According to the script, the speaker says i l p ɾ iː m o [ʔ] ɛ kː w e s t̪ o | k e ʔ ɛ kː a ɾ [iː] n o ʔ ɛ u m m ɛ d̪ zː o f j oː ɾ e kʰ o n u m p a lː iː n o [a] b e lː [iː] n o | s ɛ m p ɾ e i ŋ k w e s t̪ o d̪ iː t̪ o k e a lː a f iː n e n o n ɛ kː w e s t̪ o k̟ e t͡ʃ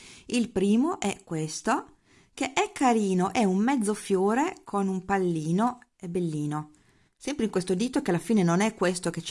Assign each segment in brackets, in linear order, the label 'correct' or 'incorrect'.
correct, correct, incorrect, correct

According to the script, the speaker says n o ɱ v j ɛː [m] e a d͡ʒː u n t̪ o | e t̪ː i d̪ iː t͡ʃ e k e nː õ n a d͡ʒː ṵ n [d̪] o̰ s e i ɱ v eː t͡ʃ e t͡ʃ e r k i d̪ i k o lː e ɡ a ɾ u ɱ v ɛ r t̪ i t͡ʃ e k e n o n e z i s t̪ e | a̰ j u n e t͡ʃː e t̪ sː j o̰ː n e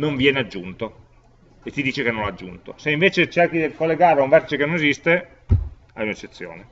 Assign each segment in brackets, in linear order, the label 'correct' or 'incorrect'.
incorrect, incorrect

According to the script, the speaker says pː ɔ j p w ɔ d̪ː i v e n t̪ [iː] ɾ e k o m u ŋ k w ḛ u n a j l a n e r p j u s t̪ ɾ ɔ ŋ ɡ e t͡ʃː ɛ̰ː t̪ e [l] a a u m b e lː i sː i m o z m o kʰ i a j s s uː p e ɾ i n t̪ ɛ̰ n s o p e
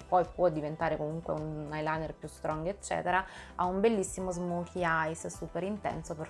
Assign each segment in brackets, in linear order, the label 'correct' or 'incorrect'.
incorrect, incorrect

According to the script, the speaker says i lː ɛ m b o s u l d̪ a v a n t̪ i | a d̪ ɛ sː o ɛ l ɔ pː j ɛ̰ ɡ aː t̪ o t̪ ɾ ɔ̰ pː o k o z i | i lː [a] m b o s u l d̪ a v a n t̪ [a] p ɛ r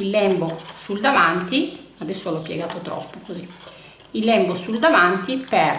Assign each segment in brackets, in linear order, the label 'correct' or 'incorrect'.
incorrect, incorrect

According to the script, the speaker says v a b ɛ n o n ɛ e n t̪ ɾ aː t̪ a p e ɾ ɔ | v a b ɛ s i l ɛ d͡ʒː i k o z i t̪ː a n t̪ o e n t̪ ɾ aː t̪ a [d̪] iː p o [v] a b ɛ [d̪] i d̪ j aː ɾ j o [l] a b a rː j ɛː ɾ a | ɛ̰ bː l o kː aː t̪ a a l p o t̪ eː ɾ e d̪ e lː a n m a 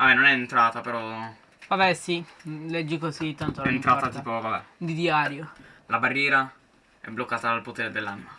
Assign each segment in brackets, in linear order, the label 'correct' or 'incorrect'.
incorrect, correct, correct, correct

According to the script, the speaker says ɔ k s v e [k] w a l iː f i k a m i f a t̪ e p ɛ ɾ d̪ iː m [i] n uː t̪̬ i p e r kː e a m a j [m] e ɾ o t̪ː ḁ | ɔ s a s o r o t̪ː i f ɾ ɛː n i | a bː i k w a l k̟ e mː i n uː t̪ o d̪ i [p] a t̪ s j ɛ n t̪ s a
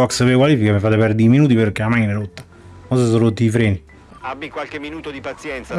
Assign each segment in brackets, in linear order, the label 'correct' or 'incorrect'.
correct, correct, incorrect, correct

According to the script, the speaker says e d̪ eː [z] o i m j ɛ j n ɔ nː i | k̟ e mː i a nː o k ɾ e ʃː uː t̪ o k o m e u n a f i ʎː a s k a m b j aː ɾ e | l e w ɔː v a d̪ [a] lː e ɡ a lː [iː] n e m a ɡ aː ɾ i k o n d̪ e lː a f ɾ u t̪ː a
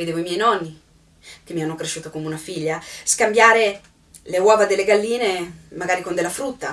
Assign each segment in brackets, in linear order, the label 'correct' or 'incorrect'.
incorrect, incorrect, correct

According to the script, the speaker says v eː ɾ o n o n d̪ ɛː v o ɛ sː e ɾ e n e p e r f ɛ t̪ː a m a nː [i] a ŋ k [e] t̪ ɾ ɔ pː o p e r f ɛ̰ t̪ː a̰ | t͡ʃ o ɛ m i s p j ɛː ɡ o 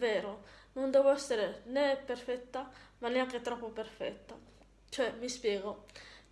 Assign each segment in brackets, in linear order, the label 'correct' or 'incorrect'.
incorrect, correct

